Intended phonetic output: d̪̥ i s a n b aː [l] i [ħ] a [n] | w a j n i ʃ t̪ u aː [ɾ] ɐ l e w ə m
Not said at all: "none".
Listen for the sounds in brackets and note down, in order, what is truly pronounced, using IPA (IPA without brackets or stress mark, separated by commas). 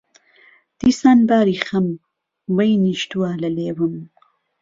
ɾ, x, m, l